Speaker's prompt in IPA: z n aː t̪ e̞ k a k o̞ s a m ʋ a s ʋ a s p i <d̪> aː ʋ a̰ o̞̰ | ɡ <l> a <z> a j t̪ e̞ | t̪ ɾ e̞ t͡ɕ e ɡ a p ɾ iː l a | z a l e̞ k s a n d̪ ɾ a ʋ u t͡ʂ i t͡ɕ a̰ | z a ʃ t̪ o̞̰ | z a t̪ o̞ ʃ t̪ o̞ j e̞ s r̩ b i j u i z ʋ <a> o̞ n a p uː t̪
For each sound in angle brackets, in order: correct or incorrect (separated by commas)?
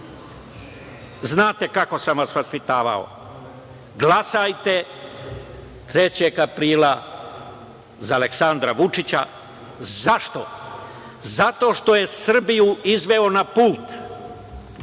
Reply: incorrect, correct, incorrect, incorrect